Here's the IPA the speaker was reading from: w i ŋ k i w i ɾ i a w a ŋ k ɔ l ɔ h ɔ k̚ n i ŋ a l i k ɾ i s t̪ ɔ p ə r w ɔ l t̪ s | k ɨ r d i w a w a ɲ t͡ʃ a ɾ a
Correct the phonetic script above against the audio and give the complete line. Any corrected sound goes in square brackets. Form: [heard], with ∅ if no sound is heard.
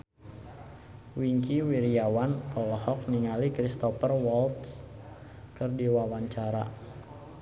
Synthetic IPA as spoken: w i ŋ k i w i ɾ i a w a [n] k ɔ l ɔ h ɔ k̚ n i ŋ a l i k ɾ i s t̪ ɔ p ə r w ɔ l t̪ s | k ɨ r d i w a w a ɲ t͡ʃ a ɾ a